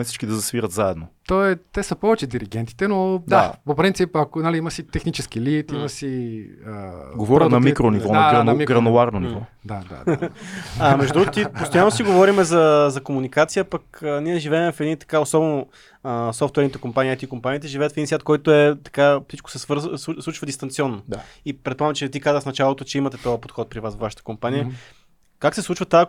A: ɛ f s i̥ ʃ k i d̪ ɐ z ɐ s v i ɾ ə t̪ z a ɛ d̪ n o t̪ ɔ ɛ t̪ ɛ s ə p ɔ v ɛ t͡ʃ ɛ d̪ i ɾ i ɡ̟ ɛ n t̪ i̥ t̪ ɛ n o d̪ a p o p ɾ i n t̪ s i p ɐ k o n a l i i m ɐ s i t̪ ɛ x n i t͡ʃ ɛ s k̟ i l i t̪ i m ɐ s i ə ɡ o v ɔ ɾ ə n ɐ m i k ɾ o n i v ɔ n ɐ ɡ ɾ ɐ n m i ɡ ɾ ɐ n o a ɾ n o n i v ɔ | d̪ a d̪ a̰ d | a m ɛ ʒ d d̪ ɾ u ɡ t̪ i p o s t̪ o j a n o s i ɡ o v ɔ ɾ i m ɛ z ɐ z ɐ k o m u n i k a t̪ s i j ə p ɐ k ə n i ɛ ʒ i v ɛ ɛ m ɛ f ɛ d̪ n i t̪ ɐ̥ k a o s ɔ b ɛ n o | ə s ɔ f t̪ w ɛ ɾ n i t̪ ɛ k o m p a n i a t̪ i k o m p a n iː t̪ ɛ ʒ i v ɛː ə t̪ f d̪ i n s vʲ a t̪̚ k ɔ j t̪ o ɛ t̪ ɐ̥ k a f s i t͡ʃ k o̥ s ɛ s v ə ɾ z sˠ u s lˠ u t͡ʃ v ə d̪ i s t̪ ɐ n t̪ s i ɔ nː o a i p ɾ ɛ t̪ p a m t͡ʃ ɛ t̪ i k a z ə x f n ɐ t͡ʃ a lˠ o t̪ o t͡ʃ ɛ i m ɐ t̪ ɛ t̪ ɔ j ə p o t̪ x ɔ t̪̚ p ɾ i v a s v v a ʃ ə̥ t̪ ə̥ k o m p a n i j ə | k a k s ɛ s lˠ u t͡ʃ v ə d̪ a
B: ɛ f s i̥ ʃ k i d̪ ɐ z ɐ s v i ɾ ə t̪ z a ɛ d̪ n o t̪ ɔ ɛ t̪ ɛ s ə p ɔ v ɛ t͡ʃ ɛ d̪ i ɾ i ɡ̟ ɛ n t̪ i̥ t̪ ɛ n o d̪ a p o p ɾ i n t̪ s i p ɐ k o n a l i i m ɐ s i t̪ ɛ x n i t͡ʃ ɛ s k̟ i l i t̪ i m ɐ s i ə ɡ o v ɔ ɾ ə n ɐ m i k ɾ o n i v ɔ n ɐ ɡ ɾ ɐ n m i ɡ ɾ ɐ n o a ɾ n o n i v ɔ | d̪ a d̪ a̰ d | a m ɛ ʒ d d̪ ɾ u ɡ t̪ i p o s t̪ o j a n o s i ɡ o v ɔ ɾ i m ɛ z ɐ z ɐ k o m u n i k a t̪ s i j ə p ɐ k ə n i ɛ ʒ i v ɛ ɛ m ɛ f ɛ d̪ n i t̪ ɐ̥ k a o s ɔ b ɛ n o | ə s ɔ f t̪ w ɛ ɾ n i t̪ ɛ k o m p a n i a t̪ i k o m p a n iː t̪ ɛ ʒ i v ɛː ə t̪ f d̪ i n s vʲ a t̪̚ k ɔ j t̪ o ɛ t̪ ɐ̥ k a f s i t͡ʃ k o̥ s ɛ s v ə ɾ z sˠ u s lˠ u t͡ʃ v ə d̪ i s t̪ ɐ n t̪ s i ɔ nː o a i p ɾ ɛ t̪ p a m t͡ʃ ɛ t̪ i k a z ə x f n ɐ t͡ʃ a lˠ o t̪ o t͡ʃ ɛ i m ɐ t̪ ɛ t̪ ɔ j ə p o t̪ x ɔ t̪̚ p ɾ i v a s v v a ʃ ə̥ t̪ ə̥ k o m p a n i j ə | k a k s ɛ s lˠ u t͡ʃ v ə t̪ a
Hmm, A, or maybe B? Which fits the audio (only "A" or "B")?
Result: B